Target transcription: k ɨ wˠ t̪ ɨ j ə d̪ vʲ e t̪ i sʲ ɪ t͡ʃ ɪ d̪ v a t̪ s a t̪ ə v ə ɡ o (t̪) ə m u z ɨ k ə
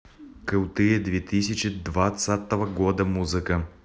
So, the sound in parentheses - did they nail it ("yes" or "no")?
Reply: no